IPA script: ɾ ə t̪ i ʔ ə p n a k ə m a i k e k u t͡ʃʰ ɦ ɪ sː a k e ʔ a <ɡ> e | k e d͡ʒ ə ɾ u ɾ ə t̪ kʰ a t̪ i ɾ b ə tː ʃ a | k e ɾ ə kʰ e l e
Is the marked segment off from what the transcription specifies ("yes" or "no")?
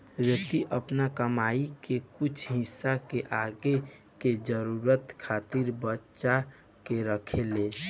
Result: no